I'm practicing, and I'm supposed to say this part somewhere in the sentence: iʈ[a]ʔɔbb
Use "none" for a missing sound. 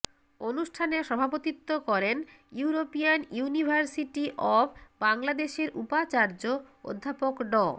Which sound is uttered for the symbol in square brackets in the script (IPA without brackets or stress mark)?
i